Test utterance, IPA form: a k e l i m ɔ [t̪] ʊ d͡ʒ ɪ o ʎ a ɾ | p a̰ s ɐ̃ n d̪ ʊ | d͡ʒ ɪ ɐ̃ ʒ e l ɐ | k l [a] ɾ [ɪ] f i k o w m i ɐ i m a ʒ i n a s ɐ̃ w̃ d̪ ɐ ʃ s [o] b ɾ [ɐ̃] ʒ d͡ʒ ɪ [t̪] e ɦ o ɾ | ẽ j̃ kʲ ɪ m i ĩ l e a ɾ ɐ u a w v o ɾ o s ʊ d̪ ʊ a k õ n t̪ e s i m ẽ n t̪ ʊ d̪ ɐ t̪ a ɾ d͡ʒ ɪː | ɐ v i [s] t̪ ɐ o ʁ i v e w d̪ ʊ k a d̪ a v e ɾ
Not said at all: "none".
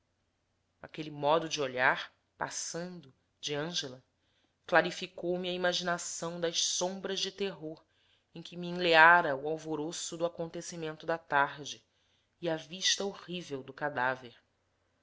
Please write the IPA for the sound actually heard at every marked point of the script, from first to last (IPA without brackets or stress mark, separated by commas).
d̪, a, i, õ, ɐ, t̪, ʃ